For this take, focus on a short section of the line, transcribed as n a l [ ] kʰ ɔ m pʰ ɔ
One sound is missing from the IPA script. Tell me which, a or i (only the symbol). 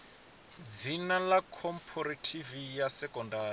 a